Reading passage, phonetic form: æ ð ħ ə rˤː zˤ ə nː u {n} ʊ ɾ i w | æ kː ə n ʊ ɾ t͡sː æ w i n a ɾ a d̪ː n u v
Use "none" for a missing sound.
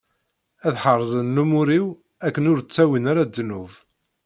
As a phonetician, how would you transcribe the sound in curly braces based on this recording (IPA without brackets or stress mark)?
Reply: m